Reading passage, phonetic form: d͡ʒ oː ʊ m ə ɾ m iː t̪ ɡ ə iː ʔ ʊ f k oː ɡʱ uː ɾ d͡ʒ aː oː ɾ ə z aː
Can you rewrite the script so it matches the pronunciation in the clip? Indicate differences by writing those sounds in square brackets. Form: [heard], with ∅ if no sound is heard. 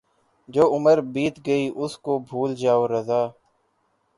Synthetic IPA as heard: d͡ʒ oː ʊ m ə ɾ [b] iː t̪ ɡ ə iː ʔ ʊ [s] k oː [bʱ] uː [l] d͡ʒ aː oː ɾ ə z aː